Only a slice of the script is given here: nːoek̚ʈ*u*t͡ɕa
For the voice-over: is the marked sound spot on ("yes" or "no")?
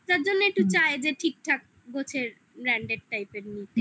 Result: yes